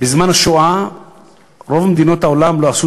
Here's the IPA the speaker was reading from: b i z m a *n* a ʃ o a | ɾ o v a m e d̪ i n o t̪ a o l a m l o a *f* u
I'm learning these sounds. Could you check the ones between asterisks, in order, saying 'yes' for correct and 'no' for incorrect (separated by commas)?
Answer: yes, no